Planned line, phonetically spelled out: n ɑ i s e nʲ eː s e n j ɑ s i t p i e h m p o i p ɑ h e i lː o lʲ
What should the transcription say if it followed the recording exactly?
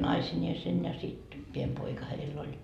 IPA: n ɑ i s i nʲ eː s e n j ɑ s i t p i e m p o i k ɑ h e i lː o lʲ